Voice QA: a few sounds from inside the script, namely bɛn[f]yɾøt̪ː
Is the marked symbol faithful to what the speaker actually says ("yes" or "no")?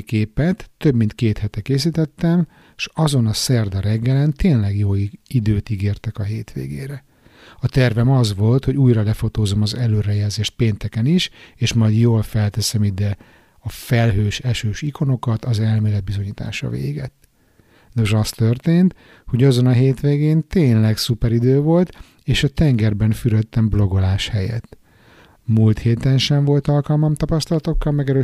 yes